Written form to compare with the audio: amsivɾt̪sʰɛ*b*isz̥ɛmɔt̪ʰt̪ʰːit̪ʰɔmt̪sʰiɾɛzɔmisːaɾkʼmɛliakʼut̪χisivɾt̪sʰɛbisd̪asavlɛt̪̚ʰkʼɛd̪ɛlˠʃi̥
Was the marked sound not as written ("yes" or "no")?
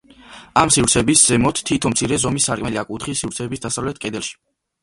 no